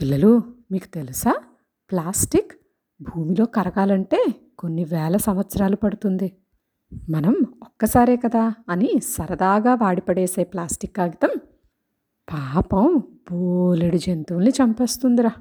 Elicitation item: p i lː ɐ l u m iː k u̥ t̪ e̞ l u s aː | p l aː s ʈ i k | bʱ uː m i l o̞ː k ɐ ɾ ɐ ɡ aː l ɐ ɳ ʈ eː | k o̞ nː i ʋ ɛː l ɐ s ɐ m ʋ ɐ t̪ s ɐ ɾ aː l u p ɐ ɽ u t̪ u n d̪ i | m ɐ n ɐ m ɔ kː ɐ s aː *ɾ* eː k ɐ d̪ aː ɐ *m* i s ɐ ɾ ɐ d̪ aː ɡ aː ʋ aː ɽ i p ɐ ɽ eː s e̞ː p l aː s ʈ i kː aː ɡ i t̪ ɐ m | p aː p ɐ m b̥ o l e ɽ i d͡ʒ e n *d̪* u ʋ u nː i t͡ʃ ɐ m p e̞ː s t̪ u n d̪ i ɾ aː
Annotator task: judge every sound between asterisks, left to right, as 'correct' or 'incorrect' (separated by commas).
correct, incorrect, incorrect